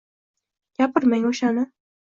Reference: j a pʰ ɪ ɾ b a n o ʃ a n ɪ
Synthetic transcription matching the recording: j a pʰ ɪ ɾ m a ŋ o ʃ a n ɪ